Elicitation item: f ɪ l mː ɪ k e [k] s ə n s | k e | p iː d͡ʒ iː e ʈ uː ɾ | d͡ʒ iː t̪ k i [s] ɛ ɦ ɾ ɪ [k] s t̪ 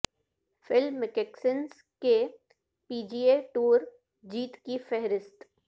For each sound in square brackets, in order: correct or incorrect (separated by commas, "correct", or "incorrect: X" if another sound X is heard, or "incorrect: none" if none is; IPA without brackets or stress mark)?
correct, incorrect: f, incorrect: none